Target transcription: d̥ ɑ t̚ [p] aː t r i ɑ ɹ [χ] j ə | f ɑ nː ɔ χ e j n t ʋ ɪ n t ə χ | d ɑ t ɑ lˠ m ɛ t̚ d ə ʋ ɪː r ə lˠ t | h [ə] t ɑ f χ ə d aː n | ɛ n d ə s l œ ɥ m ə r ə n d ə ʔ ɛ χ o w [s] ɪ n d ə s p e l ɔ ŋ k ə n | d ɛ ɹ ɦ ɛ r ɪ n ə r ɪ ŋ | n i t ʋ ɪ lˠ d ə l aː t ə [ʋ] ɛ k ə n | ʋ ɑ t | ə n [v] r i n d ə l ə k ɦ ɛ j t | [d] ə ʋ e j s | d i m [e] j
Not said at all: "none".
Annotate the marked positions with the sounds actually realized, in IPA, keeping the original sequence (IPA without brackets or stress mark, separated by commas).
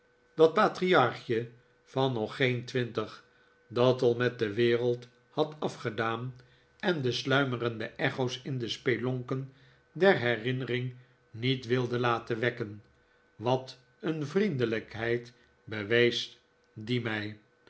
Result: p, χ, ɑ, s, ʋ, v, b, ɛ